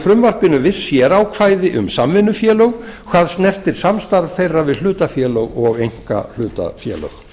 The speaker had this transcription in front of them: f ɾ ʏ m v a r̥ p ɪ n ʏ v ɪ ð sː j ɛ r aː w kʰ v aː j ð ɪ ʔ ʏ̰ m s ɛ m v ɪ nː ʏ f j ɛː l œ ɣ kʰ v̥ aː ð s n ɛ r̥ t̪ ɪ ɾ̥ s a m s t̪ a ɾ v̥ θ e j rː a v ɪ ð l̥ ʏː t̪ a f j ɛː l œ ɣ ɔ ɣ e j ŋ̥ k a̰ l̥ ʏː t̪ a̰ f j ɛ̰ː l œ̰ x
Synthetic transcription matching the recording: f ɾ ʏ m v a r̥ p ɪ n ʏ v ɪ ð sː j ɛ ɾ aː w kʰ v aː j ð ɪ ʔ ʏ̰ m s a m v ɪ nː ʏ f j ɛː l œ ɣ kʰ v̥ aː ð s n ɛ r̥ t̪ ɪ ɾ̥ s a m s t̪ a ɾ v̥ θ e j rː a v ɪ ð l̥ ʏː t̪ a f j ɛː l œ ɣ ɔ ɣ e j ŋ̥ k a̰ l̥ ʏː t̪ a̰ f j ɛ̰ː l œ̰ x